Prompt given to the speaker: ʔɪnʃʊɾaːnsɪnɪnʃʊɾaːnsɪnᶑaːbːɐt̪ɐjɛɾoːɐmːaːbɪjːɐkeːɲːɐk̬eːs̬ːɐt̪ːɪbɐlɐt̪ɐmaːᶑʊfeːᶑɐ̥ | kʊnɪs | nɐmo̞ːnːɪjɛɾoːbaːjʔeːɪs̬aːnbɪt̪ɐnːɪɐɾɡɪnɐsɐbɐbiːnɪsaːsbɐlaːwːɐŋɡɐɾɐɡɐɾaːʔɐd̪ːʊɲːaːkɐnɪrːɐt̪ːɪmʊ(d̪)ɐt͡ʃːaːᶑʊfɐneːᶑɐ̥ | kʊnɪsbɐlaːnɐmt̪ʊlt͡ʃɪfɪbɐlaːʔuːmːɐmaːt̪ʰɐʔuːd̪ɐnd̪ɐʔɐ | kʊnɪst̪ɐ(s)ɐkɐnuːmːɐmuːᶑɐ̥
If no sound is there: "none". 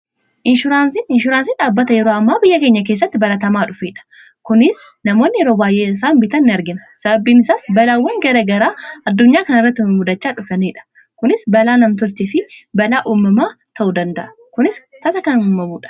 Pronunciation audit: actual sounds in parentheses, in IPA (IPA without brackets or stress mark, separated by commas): d̪, s